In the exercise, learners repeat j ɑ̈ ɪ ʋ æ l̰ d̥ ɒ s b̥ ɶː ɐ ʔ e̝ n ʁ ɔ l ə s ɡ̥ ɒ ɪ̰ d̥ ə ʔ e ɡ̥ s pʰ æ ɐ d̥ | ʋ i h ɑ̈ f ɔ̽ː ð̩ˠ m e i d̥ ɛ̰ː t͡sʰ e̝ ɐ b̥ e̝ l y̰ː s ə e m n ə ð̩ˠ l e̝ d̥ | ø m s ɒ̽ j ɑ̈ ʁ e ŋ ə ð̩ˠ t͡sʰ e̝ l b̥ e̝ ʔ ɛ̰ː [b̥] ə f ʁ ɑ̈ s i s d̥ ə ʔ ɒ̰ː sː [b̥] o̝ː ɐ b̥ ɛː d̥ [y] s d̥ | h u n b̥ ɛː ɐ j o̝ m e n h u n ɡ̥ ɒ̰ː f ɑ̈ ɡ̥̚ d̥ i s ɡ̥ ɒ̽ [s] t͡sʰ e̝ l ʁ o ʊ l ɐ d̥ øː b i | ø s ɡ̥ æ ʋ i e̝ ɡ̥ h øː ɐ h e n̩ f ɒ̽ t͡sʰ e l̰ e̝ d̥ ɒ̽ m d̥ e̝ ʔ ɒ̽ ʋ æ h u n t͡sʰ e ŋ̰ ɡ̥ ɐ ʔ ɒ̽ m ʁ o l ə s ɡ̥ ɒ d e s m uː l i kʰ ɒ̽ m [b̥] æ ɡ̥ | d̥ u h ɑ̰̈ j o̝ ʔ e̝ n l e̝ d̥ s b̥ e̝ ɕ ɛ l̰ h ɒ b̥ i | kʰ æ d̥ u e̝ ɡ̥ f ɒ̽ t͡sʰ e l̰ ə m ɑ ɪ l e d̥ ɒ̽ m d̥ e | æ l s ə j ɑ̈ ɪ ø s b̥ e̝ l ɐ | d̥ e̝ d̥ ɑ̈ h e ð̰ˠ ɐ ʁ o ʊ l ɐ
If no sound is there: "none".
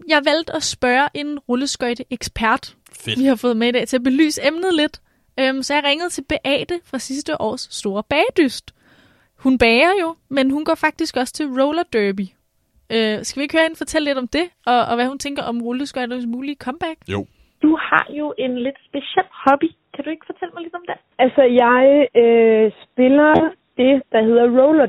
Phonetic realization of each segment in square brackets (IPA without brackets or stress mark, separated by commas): d̥, d̥, y, s, b̥